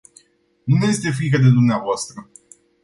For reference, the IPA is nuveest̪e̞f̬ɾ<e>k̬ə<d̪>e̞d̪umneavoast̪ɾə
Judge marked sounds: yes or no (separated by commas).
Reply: no, yes